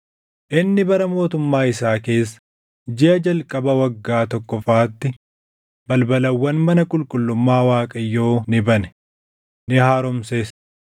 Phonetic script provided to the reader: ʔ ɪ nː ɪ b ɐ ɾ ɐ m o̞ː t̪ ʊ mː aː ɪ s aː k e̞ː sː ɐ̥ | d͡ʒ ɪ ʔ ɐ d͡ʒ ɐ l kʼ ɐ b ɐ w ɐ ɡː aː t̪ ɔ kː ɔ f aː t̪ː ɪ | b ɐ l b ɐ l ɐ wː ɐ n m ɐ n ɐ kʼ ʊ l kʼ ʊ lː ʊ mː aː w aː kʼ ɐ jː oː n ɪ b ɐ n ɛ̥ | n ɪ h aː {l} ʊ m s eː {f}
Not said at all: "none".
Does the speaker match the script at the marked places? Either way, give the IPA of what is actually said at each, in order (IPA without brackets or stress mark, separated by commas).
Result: ɾ, s